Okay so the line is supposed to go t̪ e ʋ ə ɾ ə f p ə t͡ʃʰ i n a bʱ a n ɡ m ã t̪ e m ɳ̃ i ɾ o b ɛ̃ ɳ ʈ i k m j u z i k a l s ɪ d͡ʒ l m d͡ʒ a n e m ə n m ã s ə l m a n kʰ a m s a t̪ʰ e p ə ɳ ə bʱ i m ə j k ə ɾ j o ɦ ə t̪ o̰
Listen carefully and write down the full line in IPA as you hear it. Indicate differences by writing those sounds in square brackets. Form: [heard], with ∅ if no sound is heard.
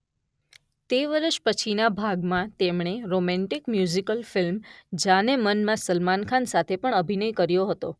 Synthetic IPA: t̪ e ʋ ə ɾ ə [ʃ] p ə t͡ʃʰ i n a bʱ a [∅] ɡ m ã t̪ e m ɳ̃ [e] ɾ o [m] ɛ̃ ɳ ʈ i k m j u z i k [ə] l [f] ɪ [∅] l m d͡ʒ a n e m ə n m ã s ə l m a n kʰ a [n] s a t̪ʰ e p ə ɳ ə bʱ i [n] ə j k ə ɾ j o ɦ ə t̪ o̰